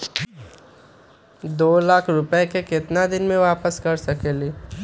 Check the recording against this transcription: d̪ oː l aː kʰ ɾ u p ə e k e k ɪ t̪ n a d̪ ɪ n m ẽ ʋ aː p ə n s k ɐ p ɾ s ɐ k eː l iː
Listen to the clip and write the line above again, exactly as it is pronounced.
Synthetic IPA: d̪ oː l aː kʰ ɾ ʊ p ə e k e k ɪ t̪ n a d̪ ɪ n m ẽ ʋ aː p ə s k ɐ ɾ s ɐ k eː l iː